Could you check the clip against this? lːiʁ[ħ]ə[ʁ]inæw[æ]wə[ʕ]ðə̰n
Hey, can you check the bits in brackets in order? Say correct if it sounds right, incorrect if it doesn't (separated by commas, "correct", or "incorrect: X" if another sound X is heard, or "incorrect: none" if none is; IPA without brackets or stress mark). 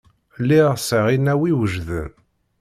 incorrect: s, correct, incorrect: i, incorrect: ʒ